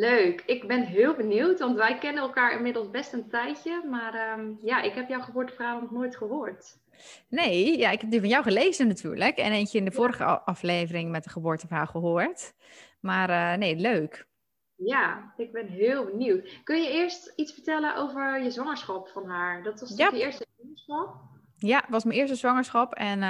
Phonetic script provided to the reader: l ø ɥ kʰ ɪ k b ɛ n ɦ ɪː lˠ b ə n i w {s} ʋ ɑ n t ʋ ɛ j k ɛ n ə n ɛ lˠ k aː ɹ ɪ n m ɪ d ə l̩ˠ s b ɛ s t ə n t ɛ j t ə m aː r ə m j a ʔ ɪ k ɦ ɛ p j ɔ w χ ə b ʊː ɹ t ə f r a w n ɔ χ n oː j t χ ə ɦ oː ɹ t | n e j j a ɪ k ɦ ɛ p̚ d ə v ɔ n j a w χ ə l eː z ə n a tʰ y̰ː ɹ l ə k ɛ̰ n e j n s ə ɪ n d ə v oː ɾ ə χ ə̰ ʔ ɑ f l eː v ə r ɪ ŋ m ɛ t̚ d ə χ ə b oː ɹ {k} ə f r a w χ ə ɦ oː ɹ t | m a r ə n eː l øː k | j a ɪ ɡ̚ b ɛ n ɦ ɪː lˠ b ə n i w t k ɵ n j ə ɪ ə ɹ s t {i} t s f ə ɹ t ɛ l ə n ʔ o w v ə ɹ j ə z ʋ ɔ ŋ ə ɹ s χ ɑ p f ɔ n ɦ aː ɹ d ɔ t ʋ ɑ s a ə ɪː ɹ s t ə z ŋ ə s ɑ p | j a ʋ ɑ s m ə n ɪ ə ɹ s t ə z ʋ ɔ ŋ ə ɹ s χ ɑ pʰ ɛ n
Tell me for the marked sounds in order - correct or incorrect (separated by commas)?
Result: incorrect, incorrect, correct